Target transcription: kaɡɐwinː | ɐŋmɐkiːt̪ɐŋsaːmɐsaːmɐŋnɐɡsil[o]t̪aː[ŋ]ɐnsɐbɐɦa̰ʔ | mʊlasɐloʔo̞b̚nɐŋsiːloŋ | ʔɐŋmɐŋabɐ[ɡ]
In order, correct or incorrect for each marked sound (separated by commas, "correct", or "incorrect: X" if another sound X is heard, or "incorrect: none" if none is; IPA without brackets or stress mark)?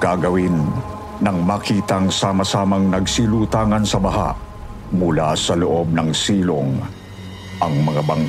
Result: incorrect: u, correct, incorrect: ŋ